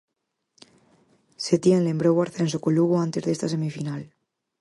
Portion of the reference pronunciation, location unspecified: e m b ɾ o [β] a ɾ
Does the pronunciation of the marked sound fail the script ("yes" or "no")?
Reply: yes